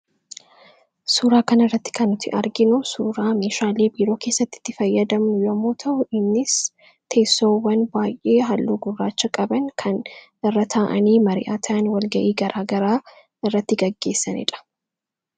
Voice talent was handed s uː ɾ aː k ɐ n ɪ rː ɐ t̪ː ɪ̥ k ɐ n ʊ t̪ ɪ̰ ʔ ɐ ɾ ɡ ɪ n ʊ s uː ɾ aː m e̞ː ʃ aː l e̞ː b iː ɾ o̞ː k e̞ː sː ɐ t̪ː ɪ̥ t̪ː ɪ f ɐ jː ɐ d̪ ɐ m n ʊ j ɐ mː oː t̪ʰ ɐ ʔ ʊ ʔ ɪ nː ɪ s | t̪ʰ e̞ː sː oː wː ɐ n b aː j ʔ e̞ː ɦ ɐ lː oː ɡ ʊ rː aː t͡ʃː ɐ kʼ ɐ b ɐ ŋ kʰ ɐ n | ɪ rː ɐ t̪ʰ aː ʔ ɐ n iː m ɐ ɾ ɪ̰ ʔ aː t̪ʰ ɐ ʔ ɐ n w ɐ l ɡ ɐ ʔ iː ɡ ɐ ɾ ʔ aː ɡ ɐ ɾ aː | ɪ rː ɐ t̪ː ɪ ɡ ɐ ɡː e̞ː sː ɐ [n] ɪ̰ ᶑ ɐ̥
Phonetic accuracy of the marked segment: correct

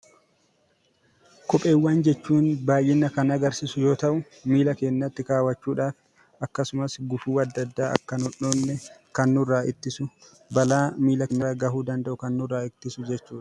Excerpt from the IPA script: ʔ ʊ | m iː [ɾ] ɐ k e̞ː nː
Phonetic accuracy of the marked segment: incorrect: l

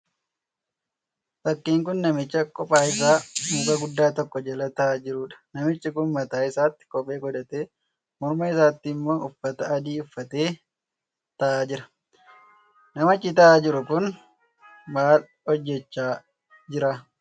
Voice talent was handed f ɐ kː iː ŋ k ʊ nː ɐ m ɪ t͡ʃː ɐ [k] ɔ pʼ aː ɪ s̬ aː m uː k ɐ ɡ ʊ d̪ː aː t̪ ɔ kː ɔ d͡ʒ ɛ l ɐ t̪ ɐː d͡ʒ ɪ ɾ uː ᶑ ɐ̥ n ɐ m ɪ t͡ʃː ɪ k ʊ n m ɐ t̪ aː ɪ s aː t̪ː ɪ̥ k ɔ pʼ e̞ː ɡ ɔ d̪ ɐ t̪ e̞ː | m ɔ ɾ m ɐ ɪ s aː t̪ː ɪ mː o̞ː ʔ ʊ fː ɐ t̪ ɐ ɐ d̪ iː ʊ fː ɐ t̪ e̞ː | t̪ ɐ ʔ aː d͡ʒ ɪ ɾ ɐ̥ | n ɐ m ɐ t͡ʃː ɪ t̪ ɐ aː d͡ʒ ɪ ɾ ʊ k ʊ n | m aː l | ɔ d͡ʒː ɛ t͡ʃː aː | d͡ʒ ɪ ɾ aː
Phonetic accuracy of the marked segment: incorrect: kʼ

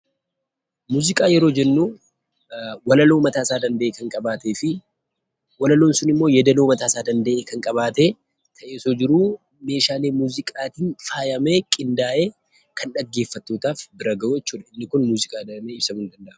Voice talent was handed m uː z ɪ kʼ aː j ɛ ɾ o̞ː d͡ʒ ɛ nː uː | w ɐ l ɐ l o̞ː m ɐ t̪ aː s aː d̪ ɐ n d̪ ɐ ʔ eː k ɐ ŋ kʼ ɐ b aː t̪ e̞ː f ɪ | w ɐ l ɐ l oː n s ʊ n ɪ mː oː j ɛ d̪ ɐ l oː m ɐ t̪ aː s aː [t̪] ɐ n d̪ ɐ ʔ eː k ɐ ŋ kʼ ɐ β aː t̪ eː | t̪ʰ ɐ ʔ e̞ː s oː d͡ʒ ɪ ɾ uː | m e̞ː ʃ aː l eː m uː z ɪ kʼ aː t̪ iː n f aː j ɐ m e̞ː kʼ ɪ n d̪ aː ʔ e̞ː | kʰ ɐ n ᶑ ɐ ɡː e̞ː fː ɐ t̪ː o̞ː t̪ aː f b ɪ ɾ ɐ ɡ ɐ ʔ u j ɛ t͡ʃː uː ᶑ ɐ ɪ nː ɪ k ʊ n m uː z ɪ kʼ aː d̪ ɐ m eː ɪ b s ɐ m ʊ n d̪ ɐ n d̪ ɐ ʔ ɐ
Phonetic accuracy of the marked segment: incorrect: d̪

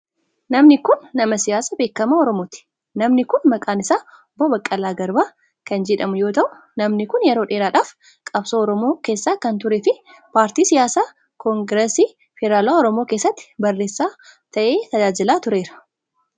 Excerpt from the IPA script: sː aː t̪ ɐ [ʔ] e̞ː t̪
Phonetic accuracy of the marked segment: correct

